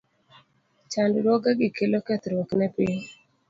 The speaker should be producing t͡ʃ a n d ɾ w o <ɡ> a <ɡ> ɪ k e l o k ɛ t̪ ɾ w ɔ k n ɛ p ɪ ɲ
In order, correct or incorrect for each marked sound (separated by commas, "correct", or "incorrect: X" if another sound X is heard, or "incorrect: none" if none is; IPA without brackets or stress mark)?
correct, correct